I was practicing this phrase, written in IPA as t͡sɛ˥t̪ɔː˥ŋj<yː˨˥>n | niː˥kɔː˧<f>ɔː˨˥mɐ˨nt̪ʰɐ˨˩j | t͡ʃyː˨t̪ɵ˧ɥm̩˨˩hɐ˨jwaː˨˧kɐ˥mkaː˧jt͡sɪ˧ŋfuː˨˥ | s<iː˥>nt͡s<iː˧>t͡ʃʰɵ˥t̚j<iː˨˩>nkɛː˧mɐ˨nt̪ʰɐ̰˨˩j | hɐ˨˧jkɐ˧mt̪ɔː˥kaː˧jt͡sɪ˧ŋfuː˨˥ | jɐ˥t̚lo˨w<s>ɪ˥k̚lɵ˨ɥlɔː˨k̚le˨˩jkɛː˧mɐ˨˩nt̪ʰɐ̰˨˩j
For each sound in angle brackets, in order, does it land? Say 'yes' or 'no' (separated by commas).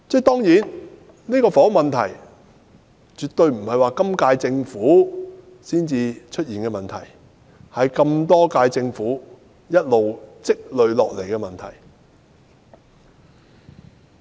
no, yes, yes, yes, yes, no